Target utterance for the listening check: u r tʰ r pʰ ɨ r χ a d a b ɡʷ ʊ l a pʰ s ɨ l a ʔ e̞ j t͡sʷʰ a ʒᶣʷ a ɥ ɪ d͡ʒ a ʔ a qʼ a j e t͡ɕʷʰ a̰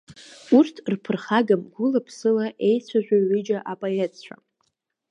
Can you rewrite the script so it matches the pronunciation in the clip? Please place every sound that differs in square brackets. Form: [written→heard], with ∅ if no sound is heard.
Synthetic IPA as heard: u r tʰ r pʰ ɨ r χ a [d→ɡ] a [b→m] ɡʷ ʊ l a pʰ s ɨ l a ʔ e̞ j t͡sʷʰ a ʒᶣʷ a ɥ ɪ d͡ʒ a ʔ a [qʼ→pʼ] a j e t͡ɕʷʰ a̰